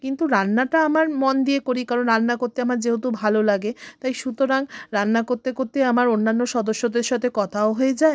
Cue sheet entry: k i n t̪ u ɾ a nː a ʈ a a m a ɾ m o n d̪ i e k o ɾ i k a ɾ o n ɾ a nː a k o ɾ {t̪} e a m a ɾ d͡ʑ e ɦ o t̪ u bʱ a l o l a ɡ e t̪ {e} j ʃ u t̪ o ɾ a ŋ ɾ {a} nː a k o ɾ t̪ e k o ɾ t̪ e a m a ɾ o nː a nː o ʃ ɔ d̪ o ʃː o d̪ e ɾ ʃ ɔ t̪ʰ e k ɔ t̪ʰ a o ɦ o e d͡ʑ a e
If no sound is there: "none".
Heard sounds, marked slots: t̪, a, a

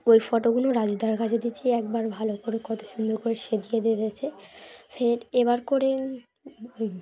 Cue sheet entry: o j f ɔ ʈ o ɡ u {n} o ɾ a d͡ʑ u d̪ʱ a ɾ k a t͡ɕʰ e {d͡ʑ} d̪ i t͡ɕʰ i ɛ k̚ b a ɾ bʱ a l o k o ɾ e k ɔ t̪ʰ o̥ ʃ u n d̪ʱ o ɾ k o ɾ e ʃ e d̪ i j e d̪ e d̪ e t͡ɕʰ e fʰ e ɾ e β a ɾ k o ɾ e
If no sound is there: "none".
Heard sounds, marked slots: n, none

